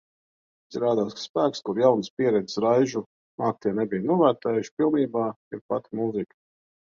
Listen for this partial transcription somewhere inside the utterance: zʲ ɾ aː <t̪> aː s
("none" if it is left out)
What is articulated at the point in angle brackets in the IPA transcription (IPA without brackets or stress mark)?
d̪